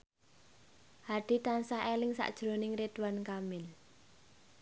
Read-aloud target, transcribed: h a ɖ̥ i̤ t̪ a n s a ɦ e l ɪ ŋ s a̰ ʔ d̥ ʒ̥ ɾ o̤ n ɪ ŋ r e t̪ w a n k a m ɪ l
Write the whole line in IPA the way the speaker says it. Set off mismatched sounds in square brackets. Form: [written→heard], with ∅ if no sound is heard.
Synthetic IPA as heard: h a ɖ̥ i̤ t̪ a n s a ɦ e l ɪ ŋ s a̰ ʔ d̥ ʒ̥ ɾ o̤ n ɪ ŋ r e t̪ w a n k a m ɪ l